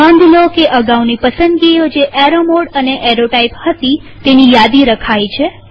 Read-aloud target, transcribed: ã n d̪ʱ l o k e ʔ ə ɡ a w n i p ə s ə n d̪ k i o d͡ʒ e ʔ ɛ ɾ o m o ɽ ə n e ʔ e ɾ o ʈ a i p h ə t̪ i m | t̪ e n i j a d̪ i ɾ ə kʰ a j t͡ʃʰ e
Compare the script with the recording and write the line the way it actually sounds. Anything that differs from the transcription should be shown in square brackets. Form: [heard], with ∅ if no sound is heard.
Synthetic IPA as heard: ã n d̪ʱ l o k e ʔ ə ɡ a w n i p ə s ə n d̪ [ɡ] i o d͡ʒ e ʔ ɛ ɾ o m o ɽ ə n e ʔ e ɾ o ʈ a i p h ə t̪ i [∅] | t̪ e n i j a d̪ i ɾ ə kʰ a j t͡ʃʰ e